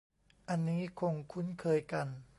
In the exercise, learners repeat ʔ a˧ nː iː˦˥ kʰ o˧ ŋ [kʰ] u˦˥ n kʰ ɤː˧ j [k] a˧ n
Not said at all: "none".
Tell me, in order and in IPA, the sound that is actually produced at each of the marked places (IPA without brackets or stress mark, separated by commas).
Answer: kʰ, k